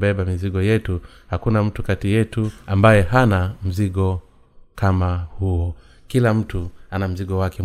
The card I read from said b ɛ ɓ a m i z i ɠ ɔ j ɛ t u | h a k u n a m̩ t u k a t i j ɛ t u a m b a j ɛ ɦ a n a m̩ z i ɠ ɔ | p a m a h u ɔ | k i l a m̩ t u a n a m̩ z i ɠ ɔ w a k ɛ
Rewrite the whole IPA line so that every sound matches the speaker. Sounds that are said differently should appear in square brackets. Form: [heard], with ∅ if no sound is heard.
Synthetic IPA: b ɛ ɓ a m i z i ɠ ɔ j ɛ t u | h a k u n a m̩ t u k a t i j ɛ t u a m b a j ɛ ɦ a n a m̩ z i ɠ ɔ | [k] a m a h u ɔ | k i l a m̩ t u a n a m̩ z i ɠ ɔ w a k ɛ